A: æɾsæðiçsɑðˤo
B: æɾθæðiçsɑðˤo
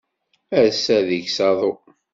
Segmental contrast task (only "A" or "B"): A